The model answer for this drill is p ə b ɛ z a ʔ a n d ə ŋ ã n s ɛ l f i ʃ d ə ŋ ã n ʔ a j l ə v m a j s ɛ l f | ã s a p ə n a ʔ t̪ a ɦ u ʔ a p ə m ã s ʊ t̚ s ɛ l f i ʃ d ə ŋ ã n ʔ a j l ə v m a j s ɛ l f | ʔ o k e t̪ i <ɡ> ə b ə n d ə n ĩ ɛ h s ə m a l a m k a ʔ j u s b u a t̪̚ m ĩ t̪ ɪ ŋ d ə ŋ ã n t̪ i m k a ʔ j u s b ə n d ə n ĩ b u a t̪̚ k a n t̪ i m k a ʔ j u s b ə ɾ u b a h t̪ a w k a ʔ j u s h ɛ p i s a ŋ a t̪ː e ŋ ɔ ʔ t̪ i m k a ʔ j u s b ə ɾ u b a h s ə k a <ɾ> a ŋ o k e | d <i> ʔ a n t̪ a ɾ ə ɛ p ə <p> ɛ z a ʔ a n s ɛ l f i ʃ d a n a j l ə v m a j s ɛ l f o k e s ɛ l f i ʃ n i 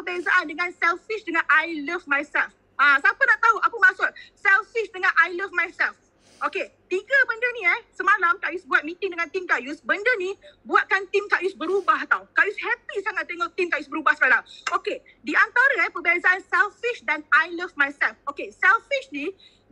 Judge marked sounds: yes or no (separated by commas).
yes, no, yes, no